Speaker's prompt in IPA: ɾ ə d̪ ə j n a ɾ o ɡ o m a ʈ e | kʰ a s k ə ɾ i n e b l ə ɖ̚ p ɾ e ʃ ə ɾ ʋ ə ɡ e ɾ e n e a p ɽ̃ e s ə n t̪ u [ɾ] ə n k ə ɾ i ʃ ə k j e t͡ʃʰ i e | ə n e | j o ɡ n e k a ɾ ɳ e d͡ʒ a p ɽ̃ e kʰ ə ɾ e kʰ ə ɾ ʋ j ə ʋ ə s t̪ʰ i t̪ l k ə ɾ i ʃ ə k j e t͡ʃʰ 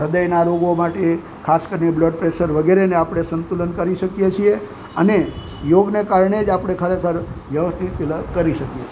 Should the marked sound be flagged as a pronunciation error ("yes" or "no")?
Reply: yes